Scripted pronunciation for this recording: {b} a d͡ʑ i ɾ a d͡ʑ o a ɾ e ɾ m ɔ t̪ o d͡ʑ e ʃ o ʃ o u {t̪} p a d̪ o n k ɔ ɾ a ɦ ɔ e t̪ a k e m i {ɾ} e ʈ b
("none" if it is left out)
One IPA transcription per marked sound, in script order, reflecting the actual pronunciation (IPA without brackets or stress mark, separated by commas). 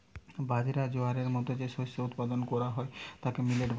b, t̪, l